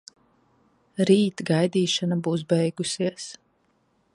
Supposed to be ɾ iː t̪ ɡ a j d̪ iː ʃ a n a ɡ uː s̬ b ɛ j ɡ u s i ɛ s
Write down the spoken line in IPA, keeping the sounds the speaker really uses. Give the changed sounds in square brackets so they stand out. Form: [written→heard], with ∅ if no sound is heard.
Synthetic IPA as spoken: ɾ iː t̪ ɡ a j d̪ iː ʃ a n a [ɡ→b] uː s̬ b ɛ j ɡ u s i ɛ s